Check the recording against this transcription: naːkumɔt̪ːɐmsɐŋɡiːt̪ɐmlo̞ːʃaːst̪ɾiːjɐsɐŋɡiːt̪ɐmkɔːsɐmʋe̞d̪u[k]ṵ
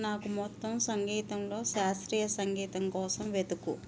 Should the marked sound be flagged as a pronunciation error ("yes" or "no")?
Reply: no